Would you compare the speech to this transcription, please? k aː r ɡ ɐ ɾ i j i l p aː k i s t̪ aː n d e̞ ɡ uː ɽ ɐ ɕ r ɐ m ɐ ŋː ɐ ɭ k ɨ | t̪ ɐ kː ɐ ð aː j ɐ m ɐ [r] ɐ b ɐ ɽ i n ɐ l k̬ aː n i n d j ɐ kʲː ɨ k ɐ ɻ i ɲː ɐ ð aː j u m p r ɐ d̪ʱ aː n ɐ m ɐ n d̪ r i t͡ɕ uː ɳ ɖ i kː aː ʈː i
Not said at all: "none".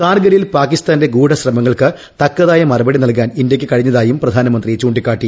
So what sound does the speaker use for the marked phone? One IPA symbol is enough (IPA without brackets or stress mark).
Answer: r